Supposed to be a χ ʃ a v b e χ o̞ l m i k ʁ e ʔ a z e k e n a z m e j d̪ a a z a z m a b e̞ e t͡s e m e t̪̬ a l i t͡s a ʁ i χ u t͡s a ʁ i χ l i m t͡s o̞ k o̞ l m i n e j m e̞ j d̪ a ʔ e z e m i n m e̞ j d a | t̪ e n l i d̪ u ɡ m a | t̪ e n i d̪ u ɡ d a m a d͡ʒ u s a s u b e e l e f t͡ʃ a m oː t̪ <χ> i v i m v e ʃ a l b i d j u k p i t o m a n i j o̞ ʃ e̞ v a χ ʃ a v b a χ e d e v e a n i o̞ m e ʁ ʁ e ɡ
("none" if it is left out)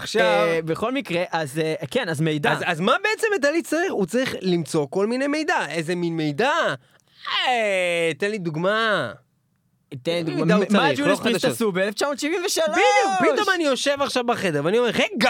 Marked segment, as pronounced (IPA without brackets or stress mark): ʃ